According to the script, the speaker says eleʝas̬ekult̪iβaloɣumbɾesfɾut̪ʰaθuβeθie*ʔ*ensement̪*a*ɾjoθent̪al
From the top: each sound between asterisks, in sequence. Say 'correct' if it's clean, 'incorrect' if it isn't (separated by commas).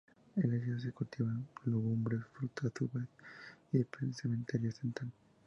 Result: incorrect, incorrect